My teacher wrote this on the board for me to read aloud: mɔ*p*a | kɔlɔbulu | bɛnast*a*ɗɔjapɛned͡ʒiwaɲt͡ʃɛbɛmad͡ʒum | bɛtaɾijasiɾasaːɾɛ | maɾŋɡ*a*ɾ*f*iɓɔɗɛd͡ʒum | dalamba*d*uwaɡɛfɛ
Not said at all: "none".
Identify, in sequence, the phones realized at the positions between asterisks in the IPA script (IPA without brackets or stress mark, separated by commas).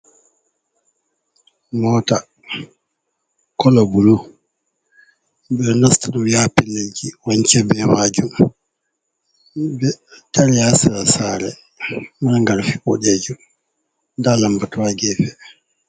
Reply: t, a, a, f, t